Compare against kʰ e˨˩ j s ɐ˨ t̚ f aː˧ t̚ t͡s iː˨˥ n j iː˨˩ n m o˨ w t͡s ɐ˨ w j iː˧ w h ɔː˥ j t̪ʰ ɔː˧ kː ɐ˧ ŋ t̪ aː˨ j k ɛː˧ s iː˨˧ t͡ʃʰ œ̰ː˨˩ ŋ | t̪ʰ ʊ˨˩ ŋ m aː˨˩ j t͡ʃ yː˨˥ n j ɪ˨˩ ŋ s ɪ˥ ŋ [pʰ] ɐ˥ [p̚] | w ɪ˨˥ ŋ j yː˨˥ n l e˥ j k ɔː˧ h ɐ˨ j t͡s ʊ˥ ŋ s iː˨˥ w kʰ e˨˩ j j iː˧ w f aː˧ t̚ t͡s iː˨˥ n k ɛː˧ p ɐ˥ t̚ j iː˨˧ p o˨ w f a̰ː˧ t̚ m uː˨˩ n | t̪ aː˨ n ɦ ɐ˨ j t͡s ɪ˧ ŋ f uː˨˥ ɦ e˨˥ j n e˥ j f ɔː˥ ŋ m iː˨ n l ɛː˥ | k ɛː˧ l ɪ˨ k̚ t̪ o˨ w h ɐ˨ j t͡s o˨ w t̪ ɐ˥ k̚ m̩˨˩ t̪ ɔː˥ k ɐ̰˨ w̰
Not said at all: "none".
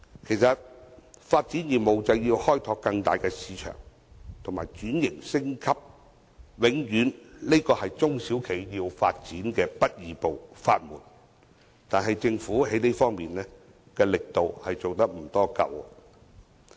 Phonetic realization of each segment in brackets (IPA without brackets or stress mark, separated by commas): kʰ, p̚